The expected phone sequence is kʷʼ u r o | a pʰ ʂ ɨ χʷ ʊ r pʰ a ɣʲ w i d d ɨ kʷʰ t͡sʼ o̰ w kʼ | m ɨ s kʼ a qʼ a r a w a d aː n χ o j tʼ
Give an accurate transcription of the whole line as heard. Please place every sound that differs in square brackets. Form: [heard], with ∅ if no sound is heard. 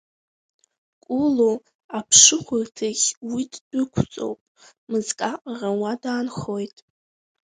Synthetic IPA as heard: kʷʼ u [l] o | a pʰ ʂ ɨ χʷ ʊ r [tʰ] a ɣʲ w i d d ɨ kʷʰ t͡sʼ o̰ w [pʼ] | m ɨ [z] kʼ a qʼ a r a w a d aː n χ o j tʼ

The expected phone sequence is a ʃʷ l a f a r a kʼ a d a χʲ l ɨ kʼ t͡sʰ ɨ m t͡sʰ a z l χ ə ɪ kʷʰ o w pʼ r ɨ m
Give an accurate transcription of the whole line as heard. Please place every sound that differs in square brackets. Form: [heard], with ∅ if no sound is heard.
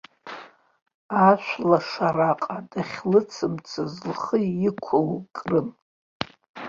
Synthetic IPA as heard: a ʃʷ l a [ʂ] a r a [qʼ] a d a χʲ l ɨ [∅] t͡sʰ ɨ m t͡sʰ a z l χ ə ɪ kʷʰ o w [kʼ] r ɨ m

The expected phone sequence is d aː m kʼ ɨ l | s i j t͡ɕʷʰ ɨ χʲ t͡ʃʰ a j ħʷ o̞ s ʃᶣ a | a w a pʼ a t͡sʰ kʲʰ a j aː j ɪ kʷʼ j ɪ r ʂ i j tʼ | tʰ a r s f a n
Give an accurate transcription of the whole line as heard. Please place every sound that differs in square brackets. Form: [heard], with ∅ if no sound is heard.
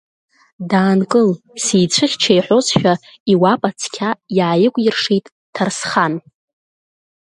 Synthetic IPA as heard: d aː [n] kʼ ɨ l | s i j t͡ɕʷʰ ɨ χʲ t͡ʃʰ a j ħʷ o̞ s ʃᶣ a | [i] w a pʼ a t͡sʰ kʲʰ a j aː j ɪ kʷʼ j ɪ r ʂ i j tʼ | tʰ a r s [χ] a n

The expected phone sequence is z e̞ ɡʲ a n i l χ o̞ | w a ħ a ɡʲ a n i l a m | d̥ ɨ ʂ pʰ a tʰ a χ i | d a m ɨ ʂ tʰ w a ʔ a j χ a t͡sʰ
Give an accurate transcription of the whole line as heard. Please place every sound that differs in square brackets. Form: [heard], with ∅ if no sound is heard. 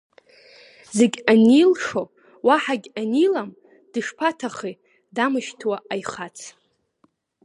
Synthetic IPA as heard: z e̞ ɡʲ a n i l [ʂ] o̞ | w a ħ a ɡʲ a n i l a m | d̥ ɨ ʂ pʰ a tʰ a χ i | d a m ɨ [ʃ] tʰ w a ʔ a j χ a t͡sʰ

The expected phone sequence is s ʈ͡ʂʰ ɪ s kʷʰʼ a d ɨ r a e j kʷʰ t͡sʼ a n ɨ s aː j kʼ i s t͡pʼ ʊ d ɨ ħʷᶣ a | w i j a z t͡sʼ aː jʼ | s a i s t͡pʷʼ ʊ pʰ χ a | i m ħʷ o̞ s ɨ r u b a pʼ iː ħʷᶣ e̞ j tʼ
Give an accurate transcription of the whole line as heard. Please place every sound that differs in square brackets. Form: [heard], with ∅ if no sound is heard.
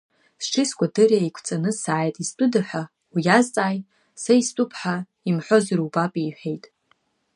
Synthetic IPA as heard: s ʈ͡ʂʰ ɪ s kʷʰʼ a d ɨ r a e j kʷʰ t͡sʼ a n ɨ s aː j [tʼ] i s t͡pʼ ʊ d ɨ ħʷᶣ a | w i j a z t͡sʼ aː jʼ | s a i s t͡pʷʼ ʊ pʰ [ħ] a | i m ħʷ o̞ [z] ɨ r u b a pʼ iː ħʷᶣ e̞ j tʼ

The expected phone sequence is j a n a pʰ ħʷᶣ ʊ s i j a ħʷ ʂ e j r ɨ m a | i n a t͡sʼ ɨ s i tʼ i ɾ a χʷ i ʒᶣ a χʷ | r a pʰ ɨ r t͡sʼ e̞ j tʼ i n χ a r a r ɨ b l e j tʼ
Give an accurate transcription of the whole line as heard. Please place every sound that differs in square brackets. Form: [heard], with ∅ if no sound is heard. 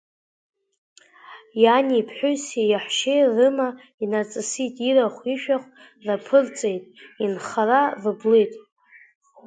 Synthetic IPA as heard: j a n [i] pʰ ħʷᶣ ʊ s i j a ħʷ [ʃ] e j r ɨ m a | i n a t͡sʼ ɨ s i tʼ i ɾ a χʷ i [ʃᶣ] a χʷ | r a pʰ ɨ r t͡sʼ e̞ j tʼ i n χ a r a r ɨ b l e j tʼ

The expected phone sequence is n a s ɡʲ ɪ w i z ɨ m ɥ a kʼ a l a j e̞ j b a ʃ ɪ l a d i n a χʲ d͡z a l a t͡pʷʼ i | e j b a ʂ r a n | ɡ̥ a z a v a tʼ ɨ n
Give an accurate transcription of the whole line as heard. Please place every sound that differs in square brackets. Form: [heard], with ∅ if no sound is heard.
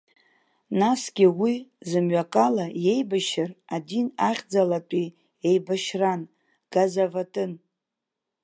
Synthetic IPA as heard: n a s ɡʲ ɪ w i z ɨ m ɥ a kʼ a l a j e̞ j b a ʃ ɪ [r] a d i n a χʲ d͡z a l a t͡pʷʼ i | e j b a [ʃ] r a n | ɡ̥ a z a v a tʼ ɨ n

